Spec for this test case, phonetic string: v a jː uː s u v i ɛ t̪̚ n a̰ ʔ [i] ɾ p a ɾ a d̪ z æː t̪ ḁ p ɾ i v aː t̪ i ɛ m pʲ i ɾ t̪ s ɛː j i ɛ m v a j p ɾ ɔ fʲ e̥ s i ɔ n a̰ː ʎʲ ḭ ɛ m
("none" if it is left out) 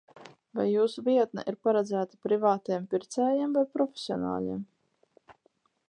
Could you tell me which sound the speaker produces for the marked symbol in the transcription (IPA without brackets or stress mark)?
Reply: i